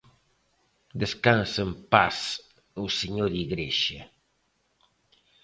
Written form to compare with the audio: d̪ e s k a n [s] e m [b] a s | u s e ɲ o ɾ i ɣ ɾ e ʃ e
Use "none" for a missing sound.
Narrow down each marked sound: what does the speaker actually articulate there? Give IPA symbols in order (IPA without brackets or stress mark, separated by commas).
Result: s, p